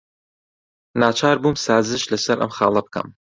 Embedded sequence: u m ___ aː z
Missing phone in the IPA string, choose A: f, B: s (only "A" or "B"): B